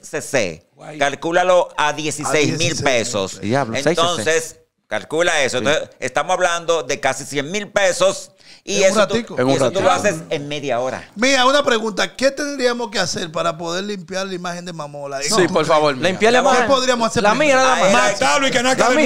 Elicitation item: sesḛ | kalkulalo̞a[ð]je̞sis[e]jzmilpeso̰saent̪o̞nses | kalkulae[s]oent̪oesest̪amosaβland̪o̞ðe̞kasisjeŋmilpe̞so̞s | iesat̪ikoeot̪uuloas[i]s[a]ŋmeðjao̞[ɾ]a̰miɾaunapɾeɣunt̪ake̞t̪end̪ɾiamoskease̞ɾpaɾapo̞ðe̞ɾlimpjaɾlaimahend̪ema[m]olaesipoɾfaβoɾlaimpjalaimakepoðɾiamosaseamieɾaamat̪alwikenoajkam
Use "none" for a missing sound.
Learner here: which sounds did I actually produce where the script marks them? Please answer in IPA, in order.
ð, e, s, e, e, ɾ, m

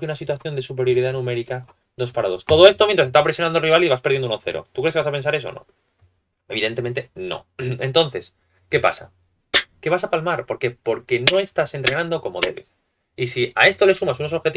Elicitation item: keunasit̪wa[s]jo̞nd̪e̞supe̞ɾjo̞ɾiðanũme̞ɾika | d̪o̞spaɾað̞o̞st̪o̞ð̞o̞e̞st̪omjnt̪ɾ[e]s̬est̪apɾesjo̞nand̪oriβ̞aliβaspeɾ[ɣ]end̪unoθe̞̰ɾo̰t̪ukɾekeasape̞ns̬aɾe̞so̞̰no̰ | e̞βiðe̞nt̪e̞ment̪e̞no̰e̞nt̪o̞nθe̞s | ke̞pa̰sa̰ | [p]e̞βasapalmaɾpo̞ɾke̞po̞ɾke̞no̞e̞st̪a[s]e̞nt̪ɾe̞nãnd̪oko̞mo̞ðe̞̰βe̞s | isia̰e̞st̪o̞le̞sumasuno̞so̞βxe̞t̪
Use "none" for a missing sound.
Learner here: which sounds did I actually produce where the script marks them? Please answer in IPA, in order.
θ, a, ð, k, s

